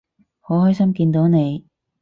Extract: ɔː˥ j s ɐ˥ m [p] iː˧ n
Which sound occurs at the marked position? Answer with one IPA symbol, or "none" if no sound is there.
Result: k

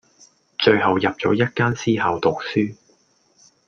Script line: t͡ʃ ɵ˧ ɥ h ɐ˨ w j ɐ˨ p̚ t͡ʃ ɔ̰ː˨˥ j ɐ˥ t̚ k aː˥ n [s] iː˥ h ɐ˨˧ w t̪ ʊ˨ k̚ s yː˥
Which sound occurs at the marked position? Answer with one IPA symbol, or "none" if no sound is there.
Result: s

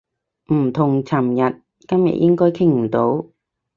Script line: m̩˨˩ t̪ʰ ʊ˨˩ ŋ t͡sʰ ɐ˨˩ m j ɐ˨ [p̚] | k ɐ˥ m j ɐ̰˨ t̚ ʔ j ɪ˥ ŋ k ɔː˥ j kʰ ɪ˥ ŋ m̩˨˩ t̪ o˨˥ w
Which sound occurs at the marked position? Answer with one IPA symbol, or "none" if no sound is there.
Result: t̚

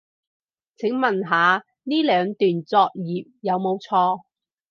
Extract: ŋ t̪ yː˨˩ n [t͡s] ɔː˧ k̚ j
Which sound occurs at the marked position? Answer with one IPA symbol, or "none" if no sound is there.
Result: t͡s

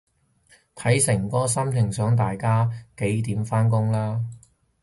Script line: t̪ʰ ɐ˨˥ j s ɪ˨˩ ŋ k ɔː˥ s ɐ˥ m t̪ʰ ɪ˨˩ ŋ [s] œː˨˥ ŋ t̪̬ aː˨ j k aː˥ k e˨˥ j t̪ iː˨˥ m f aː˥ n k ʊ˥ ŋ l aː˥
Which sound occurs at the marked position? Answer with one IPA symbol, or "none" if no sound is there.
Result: s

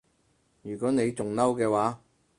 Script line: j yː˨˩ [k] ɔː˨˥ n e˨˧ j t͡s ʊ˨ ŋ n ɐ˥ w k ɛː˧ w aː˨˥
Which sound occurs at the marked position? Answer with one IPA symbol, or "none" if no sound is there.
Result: k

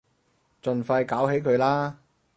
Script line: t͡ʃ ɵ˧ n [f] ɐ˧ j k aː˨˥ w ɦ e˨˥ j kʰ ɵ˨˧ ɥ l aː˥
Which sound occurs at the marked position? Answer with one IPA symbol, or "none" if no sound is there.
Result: f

